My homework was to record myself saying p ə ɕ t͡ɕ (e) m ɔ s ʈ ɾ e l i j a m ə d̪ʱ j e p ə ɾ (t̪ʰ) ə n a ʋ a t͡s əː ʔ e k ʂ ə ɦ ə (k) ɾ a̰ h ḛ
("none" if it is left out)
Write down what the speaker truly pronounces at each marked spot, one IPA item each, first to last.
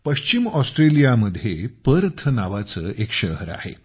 i, t̪ʰ, none

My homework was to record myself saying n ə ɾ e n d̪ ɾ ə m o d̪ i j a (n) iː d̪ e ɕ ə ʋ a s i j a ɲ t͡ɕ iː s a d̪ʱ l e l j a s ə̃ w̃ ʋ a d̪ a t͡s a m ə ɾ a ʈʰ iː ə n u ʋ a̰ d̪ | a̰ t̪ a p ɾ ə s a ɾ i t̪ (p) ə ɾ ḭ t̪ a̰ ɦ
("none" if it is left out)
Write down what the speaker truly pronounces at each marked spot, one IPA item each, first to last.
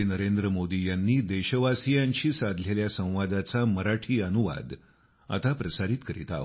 nː, k

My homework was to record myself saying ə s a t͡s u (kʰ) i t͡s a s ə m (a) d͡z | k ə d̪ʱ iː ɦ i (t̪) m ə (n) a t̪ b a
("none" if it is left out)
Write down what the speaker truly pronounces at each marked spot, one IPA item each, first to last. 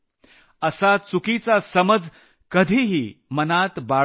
k, ə, none, n

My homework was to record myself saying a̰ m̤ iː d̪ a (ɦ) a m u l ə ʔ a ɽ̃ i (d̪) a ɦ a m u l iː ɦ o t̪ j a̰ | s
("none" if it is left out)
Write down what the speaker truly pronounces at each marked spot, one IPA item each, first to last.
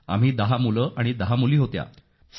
ɦ, d̪

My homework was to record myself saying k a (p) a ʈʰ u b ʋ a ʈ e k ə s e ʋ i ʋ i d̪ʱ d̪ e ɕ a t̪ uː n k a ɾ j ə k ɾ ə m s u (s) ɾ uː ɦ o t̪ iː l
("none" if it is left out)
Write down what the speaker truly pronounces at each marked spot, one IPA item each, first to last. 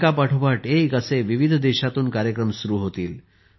p, none

